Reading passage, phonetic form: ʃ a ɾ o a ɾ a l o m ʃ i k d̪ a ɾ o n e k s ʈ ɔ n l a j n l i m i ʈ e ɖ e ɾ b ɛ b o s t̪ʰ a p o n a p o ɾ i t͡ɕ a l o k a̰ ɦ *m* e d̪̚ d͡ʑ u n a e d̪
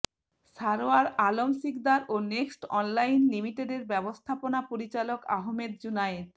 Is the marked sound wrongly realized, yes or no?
no